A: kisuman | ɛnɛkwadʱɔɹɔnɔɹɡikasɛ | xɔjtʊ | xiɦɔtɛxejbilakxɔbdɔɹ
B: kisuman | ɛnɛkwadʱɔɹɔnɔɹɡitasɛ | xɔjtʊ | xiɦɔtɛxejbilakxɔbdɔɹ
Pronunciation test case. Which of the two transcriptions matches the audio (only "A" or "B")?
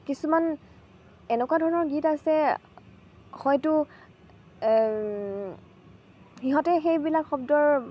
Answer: B